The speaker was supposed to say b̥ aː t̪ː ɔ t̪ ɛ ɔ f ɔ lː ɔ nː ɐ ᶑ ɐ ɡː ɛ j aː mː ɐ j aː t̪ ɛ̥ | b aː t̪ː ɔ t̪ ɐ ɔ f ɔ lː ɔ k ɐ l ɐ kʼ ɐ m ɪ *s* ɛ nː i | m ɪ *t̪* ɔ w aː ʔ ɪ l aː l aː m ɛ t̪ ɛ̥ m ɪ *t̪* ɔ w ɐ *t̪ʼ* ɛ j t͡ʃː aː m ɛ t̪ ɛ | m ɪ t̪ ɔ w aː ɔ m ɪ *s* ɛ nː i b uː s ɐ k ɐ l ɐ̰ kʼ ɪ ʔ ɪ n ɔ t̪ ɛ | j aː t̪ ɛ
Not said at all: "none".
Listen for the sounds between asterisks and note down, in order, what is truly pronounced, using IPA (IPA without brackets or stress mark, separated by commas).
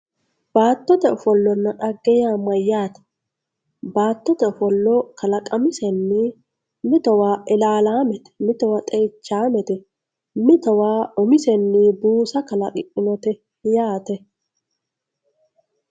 s, t̪, t̪, t̪ʼ, s